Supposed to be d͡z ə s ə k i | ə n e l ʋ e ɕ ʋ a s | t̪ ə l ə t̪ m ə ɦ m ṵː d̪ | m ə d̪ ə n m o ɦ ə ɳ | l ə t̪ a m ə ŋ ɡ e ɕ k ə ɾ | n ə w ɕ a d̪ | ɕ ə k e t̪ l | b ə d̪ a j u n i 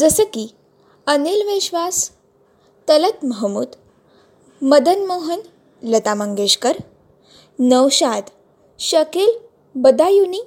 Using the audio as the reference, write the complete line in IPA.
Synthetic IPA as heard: d͡z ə s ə k i | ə n e l ʋ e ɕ ʋ a s | t̪ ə l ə t̪ m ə ɦ m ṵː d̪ | m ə d̪ ə n m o ɦ ə n | l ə t̪ a m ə ŋ ɡ e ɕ k ə ɾ | n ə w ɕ a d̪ | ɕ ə k e l | b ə d̪ a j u n i